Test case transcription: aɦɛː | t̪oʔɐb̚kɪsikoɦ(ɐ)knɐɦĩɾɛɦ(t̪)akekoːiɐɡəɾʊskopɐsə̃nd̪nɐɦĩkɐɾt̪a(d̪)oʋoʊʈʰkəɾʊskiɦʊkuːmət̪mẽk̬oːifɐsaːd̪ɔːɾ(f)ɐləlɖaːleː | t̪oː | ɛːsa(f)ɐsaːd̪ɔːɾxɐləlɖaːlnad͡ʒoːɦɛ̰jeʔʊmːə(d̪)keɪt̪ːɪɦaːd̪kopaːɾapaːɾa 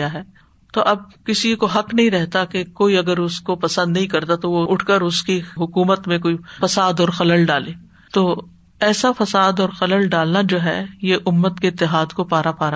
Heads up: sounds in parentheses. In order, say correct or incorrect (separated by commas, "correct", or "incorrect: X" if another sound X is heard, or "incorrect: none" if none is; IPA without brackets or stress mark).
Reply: correct, correct, incorrect: t̪, incorrect: x, correct, incorrect: t̪